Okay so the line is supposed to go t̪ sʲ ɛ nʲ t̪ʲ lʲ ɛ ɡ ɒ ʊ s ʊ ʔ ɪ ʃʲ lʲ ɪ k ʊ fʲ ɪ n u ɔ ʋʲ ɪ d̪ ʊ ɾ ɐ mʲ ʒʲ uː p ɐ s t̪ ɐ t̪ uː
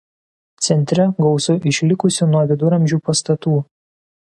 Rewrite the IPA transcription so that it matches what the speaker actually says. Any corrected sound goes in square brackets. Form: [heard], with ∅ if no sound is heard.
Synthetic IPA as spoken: t̪ sʲ ɛ nʲ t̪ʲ [ɾʲ] ɛ ɡ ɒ ʊ s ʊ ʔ ɪ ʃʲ lʲ ɪ k ʊ [sʲ] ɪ n u ɔ ʋʲ ɪ d̪ ʊ ɾ ɐ mʲ ʒʲ uː p ɐ s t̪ ɐ t̪ uː